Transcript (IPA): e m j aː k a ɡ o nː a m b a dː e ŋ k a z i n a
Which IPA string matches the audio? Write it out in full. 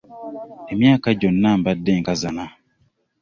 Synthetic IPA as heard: e m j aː k a ɟ o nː a m b a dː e ŋ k a z a n a